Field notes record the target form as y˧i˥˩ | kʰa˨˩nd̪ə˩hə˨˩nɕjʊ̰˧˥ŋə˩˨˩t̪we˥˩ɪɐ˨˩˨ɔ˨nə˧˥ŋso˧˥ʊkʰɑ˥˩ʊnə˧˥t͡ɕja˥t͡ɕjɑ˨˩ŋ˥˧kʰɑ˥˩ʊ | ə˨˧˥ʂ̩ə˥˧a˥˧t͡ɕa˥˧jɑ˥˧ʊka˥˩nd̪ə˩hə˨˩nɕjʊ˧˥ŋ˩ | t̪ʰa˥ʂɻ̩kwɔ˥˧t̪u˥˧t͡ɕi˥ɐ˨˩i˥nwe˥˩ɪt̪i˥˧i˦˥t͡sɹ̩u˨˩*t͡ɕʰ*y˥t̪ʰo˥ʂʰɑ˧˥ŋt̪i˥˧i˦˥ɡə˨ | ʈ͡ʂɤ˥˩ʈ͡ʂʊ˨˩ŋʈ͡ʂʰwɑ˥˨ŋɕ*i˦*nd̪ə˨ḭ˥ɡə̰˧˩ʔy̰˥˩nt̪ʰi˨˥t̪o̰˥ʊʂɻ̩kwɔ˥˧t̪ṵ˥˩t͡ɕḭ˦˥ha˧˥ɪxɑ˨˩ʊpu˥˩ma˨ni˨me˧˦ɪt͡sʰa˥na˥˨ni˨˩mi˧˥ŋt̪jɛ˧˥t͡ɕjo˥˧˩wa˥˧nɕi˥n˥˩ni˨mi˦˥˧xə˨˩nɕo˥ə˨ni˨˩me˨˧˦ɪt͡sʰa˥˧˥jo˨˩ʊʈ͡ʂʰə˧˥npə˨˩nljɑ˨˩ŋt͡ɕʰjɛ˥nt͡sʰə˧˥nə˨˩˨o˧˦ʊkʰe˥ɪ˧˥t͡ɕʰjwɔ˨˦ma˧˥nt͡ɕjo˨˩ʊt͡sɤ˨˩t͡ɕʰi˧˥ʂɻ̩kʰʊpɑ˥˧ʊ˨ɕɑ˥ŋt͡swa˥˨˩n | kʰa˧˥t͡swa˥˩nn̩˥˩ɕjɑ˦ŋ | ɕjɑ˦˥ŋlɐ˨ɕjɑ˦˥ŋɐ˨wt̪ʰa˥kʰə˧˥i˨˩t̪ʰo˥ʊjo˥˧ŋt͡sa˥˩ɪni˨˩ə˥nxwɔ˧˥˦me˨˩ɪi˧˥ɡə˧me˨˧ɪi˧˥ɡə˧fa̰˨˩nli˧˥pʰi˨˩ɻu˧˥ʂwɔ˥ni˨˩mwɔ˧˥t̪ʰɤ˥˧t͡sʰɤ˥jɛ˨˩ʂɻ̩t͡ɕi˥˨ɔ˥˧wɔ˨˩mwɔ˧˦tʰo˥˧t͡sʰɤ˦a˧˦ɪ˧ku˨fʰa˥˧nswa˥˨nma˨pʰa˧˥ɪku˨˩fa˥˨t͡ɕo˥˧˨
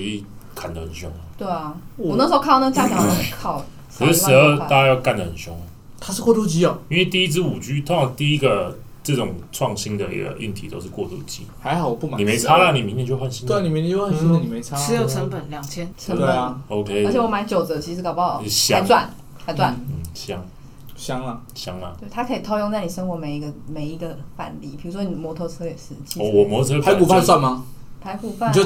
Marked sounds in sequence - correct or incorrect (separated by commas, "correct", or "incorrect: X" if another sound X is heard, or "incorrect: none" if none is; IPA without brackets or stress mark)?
incorrect: t͡ɕ, correct